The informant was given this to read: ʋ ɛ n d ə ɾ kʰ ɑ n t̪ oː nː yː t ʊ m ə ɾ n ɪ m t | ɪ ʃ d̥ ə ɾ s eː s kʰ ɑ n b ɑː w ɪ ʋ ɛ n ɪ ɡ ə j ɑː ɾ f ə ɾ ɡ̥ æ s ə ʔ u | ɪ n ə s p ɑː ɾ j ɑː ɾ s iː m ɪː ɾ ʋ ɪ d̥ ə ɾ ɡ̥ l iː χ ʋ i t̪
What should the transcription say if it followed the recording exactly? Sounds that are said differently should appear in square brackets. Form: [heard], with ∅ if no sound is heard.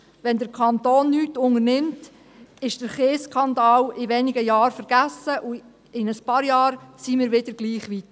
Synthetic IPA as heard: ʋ ɛ n d ə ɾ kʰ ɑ n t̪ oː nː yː t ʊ [ŋ] ə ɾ n ɪ m t | ɪ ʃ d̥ ə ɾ [χ] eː s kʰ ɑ n [d] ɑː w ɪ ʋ ɛ n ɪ ɡ ə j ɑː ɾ f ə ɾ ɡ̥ æ s ə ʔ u | ɪ n ə s p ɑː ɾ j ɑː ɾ s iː m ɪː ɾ ʋ ɪ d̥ ə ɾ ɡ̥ l iː χ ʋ i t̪